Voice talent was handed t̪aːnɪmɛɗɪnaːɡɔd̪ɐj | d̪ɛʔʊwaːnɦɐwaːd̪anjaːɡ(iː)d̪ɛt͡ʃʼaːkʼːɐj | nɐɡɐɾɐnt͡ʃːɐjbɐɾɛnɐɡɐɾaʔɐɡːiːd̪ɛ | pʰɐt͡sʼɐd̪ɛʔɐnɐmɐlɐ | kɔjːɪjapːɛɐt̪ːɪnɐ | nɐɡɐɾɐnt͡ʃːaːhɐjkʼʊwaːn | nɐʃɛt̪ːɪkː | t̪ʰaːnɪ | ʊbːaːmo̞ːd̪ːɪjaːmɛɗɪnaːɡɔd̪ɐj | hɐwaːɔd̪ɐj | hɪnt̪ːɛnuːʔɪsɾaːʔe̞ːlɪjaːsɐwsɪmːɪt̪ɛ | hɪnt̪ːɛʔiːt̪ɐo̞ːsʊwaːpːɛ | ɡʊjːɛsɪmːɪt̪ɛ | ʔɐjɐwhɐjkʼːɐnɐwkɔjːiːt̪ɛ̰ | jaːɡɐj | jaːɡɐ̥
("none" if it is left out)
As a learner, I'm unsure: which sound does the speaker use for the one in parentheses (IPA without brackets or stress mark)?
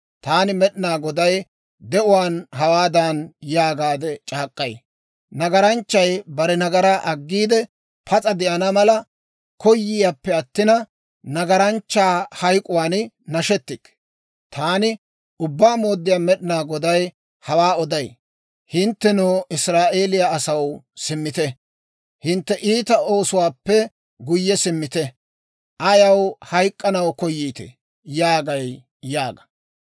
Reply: aː